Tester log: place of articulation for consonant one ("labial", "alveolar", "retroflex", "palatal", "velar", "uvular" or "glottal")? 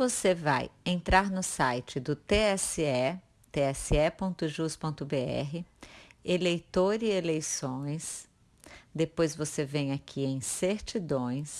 labial